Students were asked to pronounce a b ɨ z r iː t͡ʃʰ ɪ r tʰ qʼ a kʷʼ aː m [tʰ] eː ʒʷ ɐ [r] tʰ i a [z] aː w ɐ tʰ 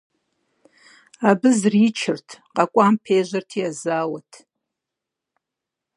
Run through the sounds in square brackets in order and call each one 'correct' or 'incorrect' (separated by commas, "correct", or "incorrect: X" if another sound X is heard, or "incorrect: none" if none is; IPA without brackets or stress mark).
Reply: incorrect: pʰ, correct, correct